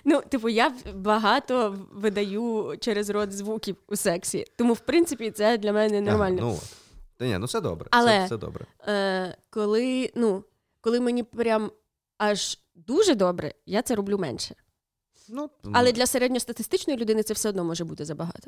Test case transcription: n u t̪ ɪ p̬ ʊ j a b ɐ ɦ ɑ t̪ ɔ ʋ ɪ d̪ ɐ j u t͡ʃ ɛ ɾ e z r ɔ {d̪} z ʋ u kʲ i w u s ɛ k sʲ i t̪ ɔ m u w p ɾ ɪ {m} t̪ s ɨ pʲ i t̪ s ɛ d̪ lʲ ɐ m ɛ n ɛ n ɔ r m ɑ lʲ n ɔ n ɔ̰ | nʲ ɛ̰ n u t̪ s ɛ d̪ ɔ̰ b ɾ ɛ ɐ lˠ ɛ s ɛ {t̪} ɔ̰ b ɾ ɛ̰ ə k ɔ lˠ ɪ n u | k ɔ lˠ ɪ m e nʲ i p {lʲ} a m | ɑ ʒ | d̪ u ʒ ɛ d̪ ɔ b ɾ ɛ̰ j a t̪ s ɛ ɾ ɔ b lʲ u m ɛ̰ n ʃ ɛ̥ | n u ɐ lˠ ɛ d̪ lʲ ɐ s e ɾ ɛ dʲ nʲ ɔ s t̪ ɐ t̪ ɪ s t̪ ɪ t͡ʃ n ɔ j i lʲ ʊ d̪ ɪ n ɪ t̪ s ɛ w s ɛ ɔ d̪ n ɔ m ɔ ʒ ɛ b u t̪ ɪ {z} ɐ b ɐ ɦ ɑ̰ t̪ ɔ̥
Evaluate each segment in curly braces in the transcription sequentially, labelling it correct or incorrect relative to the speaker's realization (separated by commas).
correct, incorrect, incorrect, incorrect, correct